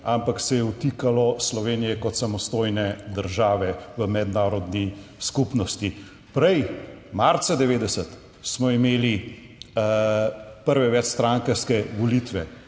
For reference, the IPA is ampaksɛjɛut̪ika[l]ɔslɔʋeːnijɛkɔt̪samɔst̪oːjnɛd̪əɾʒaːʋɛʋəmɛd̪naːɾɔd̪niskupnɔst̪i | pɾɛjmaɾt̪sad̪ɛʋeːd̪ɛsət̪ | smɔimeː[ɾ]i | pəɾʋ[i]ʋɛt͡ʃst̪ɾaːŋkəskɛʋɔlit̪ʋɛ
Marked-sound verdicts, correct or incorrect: correct, incorrect, incorrect

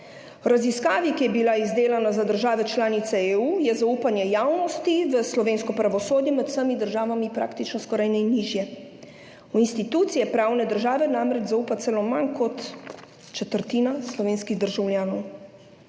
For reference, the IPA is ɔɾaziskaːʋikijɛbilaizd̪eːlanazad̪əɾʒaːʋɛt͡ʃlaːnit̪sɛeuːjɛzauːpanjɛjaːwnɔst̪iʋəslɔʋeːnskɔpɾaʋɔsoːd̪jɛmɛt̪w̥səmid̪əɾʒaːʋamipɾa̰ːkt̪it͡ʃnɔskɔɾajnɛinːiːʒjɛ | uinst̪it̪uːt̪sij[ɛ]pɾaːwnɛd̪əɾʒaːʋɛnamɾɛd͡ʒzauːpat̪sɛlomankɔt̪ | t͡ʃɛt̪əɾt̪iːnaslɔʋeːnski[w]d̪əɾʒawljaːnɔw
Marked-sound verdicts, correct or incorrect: correct, incorrect

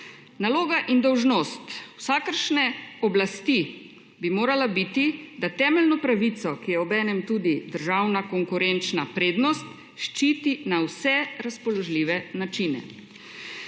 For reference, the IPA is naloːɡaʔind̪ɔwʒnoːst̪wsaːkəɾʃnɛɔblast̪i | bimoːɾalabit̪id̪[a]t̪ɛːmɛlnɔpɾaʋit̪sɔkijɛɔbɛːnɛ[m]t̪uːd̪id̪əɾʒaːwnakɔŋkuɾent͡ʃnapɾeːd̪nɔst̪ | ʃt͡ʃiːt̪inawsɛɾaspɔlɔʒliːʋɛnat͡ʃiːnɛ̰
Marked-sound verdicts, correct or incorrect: correct, correct

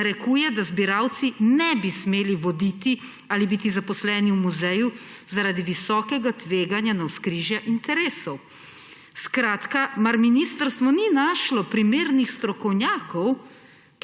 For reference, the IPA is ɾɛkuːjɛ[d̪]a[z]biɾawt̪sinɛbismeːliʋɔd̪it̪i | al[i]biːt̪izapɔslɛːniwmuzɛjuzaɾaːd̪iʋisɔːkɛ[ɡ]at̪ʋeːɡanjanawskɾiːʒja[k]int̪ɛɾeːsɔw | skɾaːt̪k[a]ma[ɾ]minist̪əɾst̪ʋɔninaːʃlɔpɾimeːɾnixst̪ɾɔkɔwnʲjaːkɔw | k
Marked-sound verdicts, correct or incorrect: correct, correct, correct, correct, incorrect, correct, correct

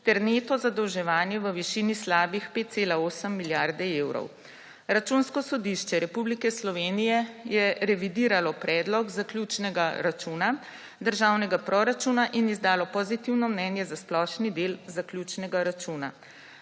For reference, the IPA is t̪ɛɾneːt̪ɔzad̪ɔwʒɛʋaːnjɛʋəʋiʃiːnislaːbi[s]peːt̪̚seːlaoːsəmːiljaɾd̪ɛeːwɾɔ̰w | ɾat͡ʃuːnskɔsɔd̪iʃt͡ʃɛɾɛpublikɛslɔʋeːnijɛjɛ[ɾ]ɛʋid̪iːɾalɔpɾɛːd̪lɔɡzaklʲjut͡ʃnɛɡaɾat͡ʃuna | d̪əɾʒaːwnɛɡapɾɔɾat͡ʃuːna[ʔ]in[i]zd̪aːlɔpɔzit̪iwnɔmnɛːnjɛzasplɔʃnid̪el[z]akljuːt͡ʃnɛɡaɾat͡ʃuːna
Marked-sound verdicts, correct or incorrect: incorrect, correct, correct, correct, correct

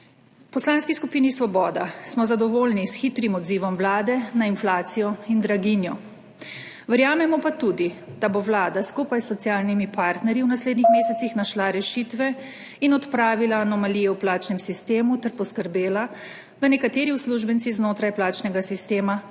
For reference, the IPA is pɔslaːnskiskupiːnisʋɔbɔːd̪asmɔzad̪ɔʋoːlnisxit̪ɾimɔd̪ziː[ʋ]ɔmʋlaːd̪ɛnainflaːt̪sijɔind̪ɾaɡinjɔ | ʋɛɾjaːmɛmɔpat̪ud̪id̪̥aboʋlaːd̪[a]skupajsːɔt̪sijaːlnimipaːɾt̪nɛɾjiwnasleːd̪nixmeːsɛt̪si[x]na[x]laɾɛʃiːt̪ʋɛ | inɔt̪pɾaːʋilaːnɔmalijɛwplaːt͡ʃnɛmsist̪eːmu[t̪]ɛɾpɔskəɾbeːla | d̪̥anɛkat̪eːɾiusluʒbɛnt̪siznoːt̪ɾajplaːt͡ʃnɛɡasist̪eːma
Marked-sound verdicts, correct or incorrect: correct, correct, correct, incorrect, correct

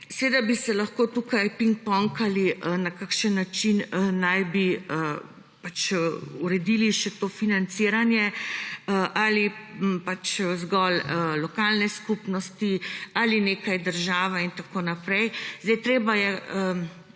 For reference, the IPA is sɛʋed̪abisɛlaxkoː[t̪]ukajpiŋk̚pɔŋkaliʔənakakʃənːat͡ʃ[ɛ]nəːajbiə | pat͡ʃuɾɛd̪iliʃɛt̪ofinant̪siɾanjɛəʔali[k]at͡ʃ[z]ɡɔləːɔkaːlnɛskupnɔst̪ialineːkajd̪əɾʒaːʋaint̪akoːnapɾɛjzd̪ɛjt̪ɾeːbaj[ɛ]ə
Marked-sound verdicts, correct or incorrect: correct, incorrect, incorrect, correct, correct

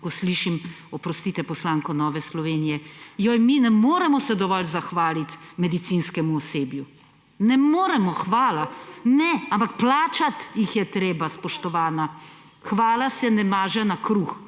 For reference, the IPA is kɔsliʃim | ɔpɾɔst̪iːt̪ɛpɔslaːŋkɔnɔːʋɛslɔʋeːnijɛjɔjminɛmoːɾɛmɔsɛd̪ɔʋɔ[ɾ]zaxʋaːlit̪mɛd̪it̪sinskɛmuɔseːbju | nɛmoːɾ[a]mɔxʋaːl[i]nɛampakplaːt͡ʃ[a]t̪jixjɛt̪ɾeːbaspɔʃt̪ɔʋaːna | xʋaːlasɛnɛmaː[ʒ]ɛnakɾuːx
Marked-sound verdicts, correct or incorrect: incorrect, incorrect, incorrect, correct, correct

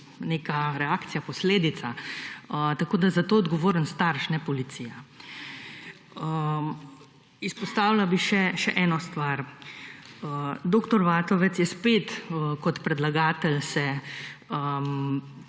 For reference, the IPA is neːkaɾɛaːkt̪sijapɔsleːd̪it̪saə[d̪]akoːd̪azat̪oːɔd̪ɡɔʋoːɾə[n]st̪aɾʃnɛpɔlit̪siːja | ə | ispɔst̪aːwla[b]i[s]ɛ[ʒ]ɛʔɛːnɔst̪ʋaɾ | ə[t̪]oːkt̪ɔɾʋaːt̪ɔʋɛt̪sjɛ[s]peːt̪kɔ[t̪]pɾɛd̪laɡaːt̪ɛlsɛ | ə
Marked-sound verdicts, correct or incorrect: incorrect, correct, correct, incorrect, incorrect, incorrect, correct, correct

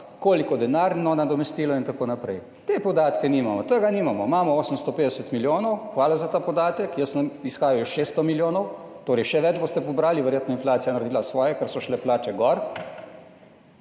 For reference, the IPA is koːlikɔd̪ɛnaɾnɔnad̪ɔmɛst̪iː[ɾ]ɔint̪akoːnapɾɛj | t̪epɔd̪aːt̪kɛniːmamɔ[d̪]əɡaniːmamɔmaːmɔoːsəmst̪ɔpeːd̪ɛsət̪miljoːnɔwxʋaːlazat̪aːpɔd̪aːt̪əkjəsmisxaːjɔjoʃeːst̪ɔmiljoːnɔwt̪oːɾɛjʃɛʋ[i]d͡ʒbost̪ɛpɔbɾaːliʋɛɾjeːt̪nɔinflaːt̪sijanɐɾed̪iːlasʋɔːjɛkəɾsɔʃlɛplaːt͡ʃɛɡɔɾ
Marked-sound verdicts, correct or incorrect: incorrect, incorrect, incorrect

